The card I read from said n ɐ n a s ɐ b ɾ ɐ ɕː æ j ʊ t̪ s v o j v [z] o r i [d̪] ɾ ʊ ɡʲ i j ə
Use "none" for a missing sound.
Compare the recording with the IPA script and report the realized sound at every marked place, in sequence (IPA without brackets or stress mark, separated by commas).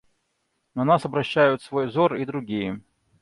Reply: z, d̪